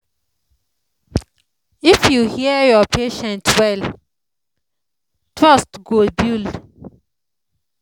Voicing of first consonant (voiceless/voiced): voiceless